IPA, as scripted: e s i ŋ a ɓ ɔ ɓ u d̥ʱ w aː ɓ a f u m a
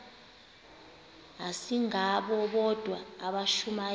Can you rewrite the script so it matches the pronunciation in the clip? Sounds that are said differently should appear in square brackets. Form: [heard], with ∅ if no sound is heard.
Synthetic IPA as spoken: [a] s i ŋ a ɓ ɔ ɓ [ɔ] d̥ʱ w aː ɓ a [ʃ] u m a